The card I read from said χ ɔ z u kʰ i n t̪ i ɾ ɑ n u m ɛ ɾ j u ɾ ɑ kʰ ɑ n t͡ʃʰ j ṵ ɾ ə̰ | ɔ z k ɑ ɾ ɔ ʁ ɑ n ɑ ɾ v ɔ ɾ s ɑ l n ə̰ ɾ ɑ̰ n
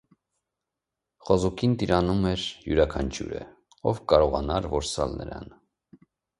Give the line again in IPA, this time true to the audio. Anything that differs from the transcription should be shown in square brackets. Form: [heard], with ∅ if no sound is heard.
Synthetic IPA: χ ɔ z u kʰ i n t̪ i ɾ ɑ n u m ɛ ɾ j u ɾ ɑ kʰ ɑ n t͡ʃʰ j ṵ ɾ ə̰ | ɔ [v] k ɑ ɾ ɔ ʁ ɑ n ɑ ɾ v ɔ ɾ s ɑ l n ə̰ ɾ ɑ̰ n